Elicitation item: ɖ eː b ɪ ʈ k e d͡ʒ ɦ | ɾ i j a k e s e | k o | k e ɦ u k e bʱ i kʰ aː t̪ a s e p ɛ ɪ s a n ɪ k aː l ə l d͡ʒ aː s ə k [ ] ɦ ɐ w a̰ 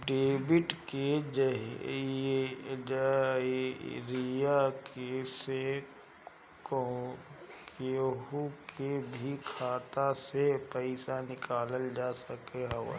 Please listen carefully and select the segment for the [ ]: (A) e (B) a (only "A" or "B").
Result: A